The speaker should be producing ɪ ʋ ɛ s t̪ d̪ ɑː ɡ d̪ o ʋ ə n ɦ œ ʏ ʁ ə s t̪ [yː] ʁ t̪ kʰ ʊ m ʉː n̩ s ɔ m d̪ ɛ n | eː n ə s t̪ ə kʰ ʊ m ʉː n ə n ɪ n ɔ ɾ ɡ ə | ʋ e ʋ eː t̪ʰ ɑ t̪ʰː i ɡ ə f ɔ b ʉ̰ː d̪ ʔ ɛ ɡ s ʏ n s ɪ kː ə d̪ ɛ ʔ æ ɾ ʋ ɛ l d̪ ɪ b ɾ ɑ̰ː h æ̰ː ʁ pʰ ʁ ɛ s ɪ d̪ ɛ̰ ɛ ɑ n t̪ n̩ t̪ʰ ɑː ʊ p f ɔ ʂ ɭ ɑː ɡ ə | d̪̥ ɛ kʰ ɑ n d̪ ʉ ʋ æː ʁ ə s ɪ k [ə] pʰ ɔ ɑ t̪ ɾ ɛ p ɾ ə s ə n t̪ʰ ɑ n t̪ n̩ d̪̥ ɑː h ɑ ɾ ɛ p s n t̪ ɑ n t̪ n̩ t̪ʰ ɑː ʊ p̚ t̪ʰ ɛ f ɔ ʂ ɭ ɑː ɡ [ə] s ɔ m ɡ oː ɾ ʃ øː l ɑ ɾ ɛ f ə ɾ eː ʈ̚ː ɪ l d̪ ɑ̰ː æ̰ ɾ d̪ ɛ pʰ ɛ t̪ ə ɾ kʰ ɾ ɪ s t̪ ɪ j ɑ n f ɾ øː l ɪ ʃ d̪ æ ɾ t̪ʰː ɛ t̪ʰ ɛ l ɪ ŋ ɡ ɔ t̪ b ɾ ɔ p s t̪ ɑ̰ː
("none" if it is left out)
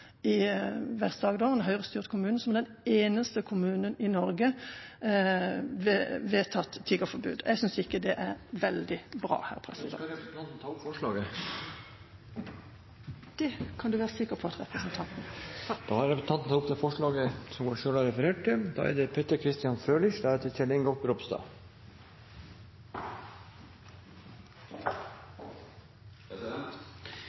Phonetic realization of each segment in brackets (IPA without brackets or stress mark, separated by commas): yː, ə, ə